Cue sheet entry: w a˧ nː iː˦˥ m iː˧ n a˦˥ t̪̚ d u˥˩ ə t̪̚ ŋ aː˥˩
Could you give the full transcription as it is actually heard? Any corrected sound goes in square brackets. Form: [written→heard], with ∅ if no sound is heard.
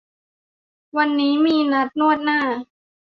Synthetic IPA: w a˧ nː iː˦˥ m iː˧ n a˦˥ t̪̚ [d→n] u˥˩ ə t̪̚ [ŋ→n] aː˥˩

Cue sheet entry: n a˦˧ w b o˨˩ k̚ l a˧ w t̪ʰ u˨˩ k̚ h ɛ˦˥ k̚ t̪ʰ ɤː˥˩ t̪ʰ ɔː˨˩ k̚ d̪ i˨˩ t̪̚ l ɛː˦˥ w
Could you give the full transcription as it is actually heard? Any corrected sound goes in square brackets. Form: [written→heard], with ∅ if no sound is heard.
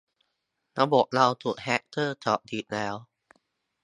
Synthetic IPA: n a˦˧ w b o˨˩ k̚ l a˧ w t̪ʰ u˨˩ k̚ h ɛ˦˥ k̚ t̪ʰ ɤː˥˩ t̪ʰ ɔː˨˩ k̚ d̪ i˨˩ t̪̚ l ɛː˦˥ w

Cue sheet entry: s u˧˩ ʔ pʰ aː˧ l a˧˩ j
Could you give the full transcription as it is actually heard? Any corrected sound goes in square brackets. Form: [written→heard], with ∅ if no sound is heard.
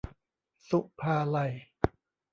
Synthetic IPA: s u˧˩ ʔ pʰ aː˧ l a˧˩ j

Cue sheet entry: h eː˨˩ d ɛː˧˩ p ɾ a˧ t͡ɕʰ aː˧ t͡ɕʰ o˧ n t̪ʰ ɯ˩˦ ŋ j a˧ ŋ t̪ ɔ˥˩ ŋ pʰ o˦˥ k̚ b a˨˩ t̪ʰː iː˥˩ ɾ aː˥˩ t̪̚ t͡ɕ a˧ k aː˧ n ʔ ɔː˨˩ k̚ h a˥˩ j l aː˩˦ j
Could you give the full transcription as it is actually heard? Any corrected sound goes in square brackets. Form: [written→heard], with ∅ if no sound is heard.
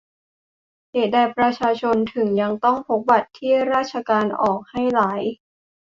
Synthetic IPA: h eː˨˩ d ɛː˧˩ p ɾ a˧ t͡ɕʰ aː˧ t͡ɕʰ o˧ n t̪ʰ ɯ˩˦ ŋ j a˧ ŋ t̪ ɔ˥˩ ŋ pʰ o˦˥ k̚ b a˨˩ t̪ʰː iː˥˩ ɾ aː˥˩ t̪̚ [t͡ɕ→t͡ɕʰ] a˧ k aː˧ n ʔ ɔː˨˩ k̚ h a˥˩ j l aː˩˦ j

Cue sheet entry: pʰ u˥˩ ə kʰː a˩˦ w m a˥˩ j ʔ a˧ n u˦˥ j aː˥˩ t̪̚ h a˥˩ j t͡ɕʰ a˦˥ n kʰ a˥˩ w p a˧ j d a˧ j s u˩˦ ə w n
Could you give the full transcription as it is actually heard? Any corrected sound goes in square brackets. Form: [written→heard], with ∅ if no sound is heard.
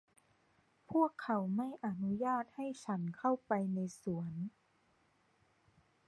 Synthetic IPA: pʰ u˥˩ ə kʰː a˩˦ w m a˥˩ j ʔ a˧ n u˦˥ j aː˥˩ t̪̚ h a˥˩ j t͡ɕʰ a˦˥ n kʰ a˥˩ w p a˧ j [d→n] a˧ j s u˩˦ ə [w→∅] n

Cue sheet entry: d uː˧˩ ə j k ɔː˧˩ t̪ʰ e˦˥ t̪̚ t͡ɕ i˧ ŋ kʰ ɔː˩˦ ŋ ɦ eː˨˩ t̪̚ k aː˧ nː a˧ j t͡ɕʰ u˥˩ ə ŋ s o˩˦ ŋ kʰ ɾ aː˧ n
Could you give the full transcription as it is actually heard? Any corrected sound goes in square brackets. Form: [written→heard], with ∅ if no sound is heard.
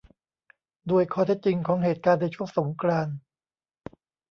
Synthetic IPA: d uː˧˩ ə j [k→kʰ] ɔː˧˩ t̪ʰ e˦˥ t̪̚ t͡ɕ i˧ ŋ kʰ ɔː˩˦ ŋ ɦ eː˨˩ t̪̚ k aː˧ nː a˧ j t͡ɕʰ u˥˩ ə ŋ s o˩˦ ŋ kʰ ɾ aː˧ n

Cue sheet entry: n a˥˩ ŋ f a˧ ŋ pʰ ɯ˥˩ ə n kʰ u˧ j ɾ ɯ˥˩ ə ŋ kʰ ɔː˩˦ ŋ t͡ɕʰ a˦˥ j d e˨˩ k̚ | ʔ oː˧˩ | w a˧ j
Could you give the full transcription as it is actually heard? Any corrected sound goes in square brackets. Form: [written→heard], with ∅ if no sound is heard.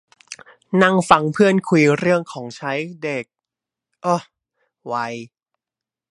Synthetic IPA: n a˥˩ ŋ f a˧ ŋ pʰ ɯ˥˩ ə n kʰ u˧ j ɾ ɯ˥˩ ə ŋ kʰ ɔː˩˦ ŋ t͡ɕʰ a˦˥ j d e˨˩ k̚ | ʔ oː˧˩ | w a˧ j

